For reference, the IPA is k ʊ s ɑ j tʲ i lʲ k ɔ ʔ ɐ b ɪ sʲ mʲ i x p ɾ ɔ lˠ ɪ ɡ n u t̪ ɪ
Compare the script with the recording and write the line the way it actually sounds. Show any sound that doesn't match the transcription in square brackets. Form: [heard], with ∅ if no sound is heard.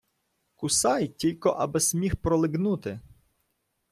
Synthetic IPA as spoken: k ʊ s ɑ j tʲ i lʲ k ɔ ʔ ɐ b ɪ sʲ mʲ i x p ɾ ɔ lˠ ɪ ɡ n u t̪ ɪ